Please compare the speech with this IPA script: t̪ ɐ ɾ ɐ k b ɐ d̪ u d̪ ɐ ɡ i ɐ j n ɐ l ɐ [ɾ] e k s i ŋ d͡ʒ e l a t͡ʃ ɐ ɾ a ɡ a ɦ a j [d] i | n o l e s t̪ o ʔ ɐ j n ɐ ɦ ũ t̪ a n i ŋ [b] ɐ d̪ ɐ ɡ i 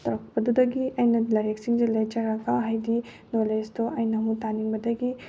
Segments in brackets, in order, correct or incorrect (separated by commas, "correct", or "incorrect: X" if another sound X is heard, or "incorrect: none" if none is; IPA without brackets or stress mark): correct, correct, correct